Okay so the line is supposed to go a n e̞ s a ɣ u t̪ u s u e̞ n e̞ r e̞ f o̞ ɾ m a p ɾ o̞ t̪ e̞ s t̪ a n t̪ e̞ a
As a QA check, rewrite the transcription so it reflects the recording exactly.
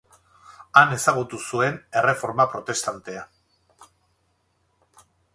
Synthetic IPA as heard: a n e̞ s a ɣ u t̪ u s u e̞ n e̞ r e̞ f o̞ ɾ m a p ɾ o̞ t̪ e̞ s t̪ a n t̪ e̞ a